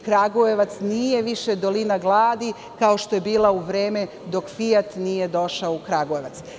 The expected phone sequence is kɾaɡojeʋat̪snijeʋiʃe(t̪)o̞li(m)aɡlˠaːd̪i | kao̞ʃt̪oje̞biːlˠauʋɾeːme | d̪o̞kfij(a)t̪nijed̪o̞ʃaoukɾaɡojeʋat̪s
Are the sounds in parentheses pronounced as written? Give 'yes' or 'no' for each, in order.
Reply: no, no, yes

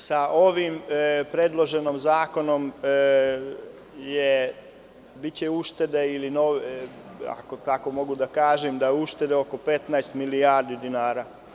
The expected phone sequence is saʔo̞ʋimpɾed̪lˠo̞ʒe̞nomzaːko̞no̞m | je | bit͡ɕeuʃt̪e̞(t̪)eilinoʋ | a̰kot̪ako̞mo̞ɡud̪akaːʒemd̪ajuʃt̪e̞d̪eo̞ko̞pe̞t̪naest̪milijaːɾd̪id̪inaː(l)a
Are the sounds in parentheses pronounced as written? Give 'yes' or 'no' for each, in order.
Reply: no, no

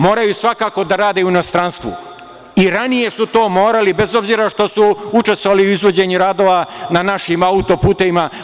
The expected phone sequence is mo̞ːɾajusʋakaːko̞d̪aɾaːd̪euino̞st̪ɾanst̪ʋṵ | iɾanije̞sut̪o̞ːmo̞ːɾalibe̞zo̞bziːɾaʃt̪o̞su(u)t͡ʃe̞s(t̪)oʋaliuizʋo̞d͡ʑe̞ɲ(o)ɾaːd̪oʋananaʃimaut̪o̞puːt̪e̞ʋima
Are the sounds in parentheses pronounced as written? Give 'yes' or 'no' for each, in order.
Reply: yes, yes, no

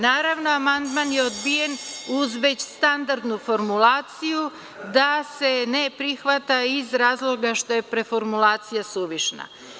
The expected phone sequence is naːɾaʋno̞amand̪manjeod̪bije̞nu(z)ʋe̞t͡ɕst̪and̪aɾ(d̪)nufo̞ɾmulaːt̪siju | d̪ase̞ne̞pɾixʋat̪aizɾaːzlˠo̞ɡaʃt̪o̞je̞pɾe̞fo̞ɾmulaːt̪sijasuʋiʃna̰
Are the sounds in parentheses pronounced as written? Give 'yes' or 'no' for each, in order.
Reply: yes, yes

